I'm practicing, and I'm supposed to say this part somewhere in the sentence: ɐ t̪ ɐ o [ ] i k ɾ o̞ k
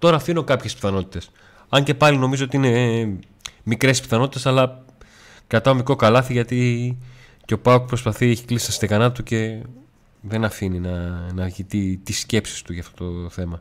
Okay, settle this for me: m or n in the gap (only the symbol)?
m